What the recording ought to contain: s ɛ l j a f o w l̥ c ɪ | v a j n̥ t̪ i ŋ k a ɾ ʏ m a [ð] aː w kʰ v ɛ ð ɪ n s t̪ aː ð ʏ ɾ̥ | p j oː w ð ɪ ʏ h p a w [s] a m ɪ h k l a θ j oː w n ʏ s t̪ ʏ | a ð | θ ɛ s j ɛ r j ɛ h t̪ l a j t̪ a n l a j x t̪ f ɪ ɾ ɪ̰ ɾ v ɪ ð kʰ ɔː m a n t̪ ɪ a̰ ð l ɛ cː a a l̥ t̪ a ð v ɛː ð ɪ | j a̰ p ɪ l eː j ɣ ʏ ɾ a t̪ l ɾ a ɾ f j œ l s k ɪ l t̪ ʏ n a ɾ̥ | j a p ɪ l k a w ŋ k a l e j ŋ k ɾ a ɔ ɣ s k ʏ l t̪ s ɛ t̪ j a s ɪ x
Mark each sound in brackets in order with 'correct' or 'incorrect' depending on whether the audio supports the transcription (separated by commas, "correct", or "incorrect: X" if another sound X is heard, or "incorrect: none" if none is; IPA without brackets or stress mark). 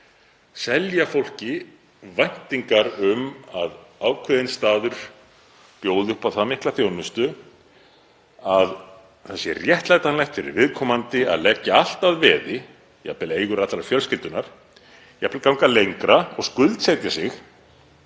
correct, incorrect: θ